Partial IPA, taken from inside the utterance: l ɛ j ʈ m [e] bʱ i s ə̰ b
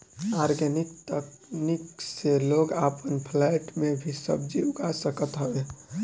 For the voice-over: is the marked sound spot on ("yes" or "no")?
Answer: yes